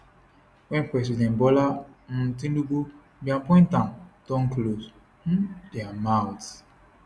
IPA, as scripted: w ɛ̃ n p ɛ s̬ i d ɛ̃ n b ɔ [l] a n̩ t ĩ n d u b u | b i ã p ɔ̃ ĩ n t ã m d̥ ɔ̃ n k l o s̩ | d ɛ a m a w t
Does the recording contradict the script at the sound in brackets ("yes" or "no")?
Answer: no